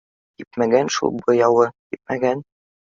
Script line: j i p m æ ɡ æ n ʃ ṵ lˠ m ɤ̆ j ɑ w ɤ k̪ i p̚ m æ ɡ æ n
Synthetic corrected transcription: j i p m æ ɡ æ n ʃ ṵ lˠ b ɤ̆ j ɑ w ɤ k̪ i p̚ m æ ɡ æ n